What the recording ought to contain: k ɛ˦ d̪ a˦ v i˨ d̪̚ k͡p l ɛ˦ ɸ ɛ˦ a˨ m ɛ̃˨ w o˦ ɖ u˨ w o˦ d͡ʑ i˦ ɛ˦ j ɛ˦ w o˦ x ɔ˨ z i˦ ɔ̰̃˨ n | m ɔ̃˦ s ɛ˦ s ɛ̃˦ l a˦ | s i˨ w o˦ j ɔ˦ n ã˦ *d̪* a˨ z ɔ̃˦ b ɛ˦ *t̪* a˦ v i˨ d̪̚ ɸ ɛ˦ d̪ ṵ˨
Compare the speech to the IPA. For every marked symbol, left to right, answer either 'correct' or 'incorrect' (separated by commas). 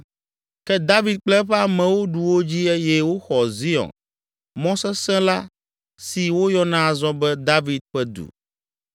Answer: incorrect, incorrect